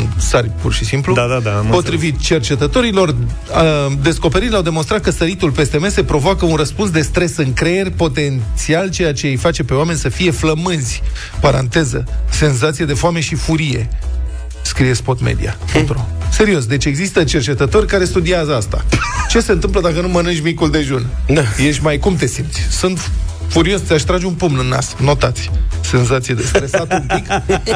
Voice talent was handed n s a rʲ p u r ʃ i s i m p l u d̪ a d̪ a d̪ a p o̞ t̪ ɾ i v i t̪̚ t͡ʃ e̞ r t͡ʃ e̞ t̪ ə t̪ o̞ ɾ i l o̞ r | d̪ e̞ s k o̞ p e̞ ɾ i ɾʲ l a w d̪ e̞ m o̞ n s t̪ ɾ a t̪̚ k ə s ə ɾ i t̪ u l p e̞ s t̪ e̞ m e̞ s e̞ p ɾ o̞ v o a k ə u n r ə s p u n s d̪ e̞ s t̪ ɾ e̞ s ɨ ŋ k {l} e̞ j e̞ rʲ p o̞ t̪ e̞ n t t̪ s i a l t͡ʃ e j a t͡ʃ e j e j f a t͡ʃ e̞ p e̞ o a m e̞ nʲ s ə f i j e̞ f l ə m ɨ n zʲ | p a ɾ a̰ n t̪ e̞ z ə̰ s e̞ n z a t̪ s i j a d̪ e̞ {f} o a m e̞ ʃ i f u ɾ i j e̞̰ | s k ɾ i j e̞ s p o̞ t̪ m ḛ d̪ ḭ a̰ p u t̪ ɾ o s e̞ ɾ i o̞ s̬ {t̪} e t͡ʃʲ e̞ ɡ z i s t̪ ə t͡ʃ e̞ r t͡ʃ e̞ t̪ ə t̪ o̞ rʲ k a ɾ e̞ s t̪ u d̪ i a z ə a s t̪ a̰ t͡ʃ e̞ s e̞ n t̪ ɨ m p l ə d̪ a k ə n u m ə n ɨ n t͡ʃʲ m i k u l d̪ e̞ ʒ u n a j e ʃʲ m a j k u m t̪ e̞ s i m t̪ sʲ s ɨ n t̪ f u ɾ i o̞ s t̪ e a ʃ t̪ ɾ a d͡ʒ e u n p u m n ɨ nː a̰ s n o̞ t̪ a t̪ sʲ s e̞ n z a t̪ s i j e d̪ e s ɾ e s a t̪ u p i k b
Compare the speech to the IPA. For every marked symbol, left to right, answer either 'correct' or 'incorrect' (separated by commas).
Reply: incorrect, correct, incorrect